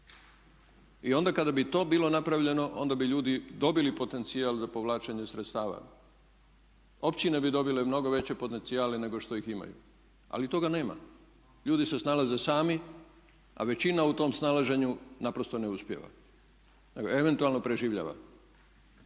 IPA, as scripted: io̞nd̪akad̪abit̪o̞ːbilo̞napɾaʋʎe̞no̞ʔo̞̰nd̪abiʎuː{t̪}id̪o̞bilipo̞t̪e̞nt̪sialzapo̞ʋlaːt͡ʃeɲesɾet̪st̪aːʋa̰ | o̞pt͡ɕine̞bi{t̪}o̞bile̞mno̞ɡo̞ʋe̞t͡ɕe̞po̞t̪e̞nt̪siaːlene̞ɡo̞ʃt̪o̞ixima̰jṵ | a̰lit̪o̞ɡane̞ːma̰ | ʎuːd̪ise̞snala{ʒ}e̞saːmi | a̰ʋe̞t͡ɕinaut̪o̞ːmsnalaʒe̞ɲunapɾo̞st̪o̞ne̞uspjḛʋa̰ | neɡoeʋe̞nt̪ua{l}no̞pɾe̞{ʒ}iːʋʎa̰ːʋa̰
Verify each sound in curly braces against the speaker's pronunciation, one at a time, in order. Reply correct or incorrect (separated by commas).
incorrect, incorrect, incorrect, correct, correct